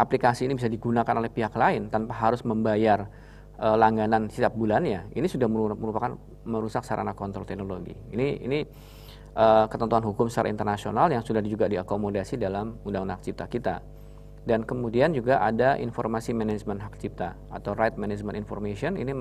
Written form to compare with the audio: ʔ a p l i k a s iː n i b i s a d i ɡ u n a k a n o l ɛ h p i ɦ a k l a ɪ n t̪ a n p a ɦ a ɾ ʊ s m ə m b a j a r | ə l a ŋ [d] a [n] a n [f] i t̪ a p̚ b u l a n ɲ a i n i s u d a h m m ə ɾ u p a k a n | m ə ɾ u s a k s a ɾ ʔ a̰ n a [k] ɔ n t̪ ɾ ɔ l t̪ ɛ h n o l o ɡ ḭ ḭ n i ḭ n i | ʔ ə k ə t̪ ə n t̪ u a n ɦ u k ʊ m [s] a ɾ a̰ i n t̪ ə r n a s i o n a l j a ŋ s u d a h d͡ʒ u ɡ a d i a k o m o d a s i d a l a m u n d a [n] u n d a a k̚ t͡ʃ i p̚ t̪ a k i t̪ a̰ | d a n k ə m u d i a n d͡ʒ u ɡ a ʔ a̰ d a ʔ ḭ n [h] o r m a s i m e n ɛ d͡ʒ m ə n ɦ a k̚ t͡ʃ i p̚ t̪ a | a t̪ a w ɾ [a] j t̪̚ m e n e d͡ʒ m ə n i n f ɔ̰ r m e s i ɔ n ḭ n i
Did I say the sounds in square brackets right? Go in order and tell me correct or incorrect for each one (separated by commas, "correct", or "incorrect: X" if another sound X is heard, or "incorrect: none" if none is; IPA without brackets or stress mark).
incorrect: ɡ, correct, incorrect: s, correct, correct, incorrect: ŋ, incorrect: f, correct